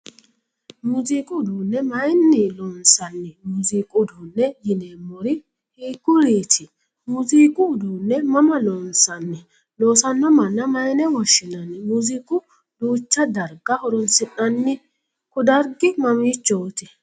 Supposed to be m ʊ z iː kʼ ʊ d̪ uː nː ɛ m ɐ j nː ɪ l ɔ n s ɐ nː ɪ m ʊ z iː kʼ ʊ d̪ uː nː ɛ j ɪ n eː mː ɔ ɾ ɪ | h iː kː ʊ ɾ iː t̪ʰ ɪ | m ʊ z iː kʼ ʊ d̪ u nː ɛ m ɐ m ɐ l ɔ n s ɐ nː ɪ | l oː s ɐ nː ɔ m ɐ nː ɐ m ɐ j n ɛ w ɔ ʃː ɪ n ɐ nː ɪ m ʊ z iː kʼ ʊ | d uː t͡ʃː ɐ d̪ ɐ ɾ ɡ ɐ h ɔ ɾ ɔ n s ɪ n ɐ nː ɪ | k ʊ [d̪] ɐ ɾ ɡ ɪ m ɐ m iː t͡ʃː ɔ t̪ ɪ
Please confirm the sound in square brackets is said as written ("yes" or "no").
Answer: yes